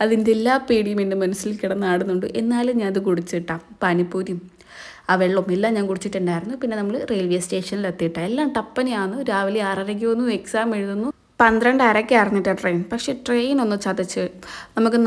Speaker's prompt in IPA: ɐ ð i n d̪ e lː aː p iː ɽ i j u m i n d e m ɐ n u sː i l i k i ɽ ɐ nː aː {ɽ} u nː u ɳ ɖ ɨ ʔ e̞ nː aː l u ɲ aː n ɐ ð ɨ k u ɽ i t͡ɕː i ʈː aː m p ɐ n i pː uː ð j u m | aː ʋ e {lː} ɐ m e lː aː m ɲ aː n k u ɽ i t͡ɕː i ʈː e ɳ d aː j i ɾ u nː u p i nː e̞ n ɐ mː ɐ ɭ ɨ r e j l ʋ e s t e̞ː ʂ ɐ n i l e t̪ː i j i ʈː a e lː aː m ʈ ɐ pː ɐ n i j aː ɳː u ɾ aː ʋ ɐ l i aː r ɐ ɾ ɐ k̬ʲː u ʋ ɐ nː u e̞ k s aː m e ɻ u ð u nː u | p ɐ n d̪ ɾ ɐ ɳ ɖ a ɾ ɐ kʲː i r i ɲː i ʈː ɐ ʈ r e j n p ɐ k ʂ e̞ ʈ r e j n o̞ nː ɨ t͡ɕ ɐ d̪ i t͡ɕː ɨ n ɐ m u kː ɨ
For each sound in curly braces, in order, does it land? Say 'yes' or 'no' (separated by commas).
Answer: yes, no